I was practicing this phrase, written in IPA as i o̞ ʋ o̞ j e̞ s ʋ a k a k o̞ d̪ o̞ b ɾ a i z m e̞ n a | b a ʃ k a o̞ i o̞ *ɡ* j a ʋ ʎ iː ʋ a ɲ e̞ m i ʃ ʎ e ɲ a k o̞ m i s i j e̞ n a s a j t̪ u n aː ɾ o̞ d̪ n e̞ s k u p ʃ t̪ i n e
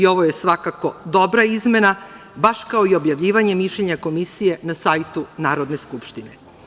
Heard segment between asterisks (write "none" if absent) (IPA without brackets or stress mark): b